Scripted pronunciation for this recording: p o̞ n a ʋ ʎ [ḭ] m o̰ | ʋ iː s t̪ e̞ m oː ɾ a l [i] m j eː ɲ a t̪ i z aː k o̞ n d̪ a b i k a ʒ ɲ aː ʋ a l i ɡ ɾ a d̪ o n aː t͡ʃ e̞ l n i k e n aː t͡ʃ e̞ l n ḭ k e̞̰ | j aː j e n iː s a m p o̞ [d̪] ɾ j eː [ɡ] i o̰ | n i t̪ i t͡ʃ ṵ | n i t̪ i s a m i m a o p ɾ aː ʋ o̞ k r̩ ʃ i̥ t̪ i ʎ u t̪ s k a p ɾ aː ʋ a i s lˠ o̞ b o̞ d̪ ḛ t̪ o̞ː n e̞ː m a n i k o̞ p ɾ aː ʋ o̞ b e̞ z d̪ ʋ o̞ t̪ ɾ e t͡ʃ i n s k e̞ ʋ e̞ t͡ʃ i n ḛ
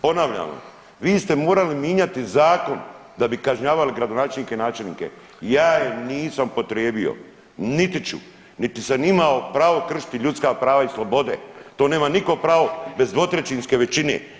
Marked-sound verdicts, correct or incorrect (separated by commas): incorrect, correct, incorrect, incorrect